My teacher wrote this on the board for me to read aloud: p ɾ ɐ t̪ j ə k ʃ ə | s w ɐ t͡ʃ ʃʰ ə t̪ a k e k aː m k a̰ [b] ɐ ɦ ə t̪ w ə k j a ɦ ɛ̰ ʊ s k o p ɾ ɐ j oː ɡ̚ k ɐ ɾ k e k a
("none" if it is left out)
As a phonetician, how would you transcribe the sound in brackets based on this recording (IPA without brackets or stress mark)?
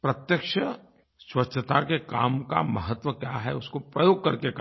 m